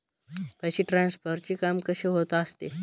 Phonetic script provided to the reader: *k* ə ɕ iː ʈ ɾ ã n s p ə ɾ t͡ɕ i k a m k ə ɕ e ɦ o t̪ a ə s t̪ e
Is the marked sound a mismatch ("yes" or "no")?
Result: yes